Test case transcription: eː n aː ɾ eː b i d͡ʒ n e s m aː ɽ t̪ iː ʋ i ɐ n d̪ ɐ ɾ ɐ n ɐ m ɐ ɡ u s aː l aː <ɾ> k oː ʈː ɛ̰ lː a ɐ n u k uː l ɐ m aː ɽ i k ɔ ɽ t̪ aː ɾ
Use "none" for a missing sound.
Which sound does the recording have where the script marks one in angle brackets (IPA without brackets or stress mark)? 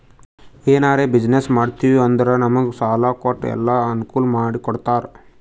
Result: none